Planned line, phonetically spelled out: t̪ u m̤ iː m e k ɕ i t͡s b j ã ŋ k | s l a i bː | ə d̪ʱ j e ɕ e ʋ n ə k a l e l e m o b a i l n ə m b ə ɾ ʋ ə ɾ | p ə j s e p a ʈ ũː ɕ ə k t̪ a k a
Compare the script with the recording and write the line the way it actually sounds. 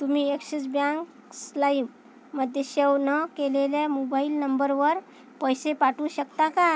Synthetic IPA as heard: t̪ u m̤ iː e k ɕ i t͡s b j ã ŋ k | s l a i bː | ə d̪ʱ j e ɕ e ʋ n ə k e l e l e m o b a i l n ə m b ə ɾ ʋ ə ɾ | p ə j s e p a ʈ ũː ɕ ə k t̪ a k a